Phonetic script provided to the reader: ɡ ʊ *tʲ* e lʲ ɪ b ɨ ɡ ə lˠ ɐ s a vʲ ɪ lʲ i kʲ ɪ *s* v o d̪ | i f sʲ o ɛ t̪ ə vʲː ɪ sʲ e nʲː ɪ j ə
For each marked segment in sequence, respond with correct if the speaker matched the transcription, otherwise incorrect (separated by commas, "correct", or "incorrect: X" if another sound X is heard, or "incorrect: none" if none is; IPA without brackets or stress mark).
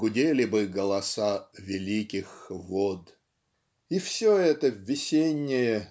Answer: incorrect: dʲ, incorrect: x